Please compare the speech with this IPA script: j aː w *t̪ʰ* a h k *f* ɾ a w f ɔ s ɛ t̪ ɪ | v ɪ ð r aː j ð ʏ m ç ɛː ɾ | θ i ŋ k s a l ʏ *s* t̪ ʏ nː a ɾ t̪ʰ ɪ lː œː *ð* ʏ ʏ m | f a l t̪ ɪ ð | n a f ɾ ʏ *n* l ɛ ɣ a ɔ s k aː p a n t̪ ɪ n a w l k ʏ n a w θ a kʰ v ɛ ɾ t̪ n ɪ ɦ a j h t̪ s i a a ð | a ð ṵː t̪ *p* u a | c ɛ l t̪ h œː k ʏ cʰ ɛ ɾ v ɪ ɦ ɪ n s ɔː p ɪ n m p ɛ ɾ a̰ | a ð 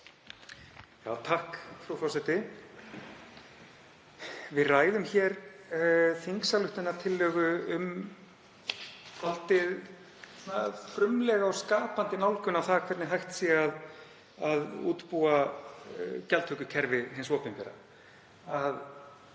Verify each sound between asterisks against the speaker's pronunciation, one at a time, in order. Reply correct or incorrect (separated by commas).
correct, correct, incorrect, incorrect, incorrect, correct